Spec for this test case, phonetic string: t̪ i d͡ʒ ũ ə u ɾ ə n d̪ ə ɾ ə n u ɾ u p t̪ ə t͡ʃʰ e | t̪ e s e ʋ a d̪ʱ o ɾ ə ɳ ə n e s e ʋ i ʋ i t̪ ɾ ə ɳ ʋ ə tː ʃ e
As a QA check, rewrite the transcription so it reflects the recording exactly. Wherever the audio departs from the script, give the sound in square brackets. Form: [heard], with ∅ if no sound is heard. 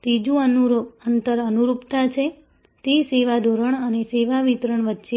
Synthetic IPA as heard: t̪ i d͡ʒ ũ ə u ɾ ə n [t̪] ə ɾ ə n u ɾ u p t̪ [a] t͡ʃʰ e | t̪ e s e ʋ a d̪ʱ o ɾ ə ɳ ə n e s e ʋ [a] ʋ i t̪ ɾ ə ɳ ʋ ə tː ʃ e